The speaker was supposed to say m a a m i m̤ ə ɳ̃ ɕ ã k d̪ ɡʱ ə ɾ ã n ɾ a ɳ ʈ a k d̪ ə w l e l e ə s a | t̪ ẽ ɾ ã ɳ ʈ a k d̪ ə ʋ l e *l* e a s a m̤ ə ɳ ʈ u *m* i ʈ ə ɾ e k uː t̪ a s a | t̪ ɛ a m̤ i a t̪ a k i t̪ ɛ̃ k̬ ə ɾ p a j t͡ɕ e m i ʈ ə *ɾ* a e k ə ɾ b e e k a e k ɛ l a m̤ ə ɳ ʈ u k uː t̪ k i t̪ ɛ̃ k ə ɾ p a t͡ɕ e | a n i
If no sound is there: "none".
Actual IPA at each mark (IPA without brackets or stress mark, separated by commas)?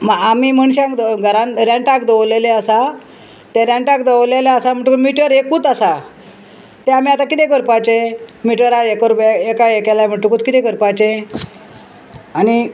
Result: l, m, ɾ